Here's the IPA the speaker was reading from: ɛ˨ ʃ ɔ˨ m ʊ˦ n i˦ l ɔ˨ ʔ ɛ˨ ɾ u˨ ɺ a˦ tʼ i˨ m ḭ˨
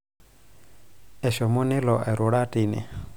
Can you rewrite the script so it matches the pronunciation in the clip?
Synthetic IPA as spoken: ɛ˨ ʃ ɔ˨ m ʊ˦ n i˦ l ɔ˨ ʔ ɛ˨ ɾ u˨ ɺ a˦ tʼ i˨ n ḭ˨